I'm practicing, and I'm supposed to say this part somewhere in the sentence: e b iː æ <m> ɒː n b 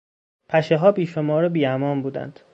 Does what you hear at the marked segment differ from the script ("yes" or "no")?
no